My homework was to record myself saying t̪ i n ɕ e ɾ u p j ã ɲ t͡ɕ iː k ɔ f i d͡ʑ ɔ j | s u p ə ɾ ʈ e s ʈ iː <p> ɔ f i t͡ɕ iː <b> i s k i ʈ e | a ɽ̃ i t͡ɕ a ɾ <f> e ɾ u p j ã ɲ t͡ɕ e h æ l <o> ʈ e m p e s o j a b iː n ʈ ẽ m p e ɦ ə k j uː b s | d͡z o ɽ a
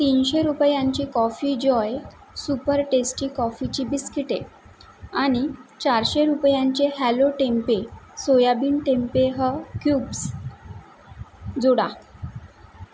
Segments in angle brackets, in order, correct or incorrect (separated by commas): incorrect, correct, incorrect, correct